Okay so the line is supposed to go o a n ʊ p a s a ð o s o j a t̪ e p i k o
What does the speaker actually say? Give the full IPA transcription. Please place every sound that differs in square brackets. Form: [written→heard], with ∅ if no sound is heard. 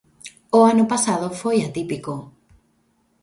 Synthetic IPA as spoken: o a n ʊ p a s a ð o [s→f] o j a t̪ [e→i] p i k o